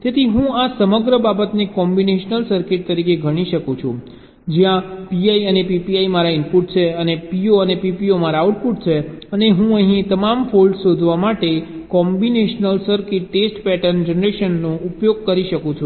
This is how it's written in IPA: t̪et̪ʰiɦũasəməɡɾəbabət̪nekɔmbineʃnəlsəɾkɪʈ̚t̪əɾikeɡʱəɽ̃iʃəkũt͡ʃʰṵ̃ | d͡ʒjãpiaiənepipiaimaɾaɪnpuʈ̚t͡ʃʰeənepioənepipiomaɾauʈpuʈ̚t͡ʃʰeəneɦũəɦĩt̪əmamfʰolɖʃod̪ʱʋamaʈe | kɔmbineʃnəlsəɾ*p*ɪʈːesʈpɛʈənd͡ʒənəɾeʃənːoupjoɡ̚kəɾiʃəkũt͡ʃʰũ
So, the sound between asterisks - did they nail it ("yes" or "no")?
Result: no